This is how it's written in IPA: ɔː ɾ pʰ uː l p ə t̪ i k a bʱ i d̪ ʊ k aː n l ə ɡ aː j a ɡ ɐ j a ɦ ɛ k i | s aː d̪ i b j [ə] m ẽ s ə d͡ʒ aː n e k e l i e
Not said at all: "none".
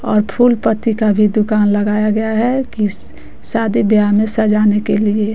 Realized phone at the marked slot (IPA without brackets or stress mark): a